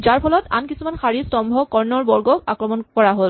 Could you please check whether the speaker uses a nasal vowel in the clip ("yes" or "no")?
no